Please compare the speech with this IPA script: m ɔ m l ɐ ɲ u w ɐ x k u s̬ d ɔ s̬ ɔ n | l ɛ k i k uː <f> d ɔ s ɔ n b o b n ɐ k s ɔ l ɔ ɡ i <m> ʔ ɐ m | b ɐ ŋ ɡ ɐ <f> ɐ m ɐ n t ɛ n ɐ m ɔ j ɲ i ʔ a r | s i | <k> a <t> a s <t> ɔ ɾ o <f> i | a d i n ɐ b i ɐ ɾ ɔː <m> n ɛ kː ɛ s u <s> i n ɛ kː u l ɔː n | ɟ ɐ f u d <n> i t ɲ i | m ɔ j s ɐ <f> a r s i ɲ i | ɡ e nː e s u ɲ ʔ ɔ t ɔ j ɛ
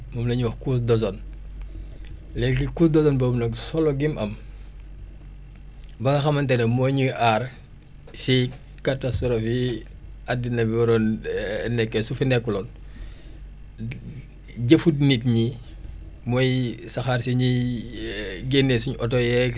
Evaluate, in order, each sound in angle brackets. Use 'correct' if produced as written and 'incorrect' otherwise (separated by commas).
incorrect, correct, incorrect, correct, correct, correct, correct, incorrect, incorrect, correct, incorrect